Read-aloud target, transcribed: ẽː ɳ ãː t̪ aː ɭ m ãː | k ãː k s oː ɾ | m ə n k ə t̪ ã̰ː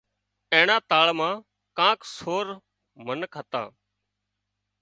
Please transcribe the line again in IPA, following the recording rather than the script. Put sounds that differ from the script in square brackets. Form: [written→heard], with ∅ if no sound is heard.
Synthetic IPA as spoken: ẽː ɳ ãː t̪ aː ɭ m ãː | k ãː k s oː ɾ | m ə n k ə t̪ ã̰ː